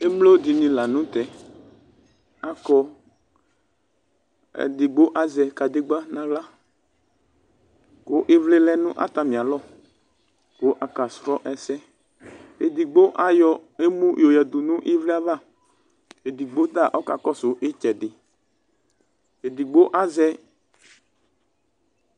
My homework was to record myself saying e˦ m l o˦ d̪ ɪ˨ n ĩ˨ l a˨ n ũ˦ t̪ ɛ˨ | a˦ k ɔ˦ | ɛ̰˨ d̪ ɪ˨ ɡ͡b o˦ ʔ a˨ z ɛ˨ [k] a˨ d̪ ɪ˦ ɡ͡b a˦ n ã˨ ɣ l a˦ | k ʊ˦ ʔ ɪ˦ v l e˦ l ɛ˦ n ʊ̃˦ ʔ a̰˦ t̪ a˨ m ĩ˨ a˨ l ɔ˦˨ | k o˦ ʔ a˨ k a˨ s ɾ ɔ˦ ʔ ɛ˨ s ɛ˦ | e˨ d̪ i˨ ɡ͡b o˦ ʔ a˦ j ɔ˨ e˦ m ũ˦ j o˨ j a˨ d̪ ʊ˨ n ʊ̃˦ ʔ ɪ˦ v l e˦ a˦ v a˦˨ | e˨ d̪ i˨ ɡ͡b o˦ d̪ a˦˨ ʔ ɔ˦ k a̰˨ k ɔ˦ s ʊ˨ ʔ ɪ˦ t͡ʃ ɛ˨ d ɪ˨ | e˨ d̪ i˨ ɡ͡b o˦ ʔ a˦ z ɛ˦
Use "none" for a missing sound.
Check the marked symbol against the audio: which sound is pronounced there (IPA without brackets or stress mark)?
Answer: k